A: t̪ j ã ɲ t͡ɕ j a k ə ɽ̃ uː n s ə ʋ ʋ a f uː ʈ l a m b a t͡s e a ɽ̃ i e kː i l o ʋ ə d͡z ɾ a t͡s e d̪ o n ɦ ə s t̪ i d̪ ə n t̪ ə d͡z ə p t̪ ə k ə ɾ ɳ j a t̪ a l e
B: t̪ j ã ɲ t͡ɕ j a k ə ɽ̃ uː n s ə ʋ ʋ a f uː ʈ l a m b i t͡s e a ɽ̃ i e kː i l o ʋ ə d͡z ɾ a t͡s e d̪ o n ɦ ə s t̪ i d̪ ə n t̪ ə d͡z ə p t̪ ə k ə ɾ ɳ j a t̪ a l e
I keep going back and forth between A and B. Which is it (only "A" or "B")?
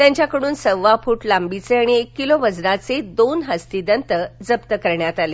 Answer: B